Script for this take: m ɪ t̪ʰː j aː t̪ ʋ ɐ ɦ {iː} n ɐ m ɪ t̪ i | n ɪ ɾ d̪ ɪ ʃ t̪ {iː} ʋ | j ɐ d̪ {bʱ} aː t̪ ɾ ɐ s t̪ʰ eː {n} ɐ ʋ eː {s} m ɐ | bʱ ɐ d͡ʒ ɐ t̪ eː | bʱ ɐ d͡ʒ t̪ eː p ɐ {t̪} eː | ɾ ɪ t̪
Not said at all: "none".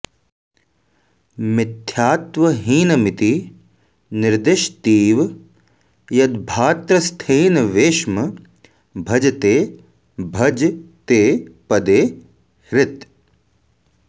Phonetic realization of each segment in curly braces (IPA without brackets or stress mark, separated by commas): iː, iː, bʱ, n, ʃ, d̪